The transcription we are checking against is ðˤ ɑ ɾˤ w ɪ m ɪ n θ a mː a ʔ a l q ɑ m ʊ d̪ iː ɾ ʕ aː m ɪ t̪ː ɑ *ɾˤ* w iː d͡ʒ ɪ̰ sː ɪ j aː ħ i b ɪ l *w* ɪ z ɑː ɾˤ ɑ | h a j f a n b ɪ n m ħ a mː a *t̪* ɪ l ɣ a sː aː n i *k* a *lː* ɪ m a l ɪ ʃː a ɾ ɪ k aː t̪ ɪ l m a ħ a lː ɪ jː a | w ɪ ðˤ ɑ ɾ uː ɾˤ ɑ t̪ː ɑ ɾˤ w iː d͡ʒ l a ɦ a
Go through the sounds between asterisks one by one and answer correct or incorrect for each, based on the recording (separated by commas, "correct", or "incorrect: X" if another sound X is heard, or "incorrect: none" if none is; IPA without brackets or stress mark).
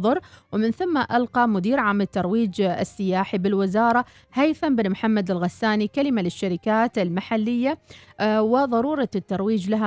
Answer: correct, correct, incorrect: d̪, correct, incorrect: l